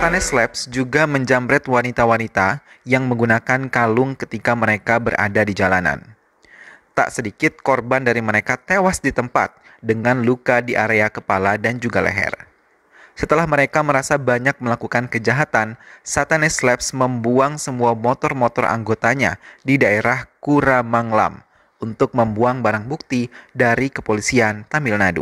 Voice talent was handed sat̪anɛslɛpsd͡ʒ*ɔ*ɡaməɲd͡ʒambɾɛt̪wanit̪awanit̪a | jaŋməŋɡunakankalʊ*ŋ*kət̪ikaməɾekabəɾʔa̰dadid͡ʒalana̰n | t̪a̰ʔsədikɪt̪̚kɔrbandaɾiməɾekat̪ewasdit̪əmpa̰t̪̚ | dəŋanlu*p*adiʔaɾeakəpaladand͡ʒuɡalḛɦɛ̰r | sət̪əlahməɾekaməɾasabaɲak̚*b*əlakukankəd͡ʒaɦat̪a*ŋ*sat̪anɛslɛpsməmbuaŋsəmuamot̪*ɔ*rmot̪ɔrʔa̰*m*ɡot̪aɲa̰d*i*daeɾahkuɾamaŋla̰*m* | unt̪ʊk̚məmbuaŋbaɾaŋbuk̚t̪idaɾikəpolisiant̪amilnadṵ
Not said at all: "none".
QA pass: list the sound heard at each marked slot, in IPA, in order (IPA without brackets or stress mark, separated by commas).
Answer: u, ŋ, k, m, n, ɔ, ŋ, i, m